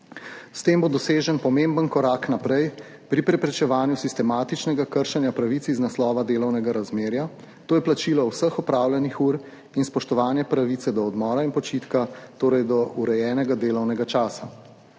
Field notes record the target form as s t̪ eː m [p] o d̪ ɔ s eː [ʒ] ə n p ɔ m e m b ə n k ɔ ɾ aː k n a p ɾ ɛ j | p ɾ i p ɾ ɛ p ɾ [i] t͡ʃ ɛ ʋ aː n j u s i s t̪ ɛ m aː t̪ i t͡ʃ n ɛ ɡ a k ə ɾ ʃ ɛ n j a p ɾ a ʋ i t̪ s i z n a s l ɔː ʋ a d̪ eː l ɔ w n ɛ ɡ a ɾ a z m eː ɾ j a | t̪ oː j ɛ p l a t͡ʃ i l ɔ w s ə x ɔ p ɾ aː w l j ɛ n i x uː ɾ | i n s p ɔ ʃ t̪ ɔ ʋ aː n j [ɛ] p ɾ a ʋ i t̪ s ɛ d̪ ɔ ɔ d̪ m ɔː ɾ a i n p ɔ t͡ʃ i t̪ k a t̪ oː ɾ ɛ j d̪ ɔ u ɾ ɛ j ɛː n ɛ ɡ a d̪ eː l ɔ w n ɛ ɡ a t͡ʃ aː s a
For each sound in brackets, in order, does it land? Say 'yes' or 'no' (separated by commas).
no, yes, no, yes